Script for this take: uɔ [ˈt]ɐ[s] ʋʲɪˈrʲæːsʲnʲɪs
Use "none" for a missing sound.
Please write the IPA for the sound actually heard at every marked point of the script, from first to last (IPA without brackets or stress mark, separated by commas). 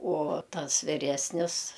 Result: t, s